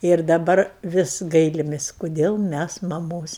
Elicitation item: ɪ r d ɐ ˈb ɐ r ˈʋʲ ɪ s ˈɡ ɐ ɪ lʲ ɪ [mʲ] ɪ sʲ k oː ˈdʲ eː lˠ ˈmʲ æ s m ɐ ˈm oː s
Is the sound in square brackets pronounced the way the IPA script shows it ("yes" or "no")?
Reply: yes